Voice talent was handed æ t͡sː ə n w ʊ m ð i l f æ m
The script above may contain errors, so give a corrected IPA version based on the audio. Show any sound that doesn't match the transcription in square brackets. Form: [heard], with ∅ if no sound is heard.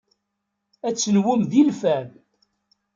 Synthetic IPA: æ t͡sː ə n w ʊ m ð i l f æ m